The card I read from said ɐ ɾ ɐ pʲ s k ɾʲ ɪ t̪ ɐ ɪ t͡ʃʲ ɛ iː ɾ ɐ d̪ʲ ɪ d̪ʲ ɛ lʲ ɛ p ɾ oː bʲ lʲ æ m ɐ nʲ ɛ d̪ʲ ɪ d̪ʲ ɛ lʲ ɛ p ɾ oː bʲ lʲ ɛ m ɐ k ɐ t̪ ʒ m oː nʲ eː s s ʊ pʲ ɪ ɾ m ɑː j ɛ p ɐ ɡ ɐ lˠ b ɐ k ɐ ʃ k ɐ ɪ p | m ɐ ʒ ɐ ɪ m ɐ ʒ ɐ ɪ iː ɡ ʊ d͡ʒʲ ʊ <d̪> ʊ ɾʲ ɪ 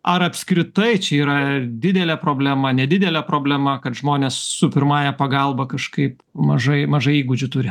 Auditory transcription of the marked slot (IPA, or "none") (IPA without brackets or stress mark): t̪